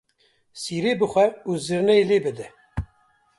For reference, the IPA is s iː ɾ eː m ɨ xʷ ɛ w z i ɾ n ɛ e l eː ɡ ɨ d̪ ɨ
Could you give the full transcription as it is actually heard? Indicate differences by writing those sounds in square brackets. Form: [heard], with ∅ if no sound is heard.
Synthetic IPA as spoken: s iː ɾ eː [b] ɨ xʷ ɛ [u] z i ɾ n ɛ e l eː [b] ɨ d̪ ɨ